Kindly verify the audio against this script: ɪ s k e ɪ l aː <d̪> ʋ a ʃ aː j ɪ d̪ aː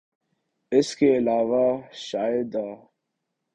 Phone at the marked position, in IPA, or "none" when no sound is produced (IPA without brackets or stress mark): none